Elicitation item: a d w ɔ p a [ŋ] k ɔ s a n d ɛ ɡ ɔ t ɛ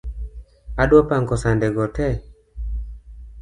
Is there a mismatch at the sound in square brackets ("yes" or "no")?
no